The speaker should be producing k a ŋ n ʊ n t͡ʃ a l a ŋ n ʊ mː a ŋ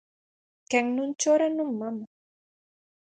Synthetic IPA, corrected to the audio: k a ŋ n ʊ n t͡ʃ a ɾ a n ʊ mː a m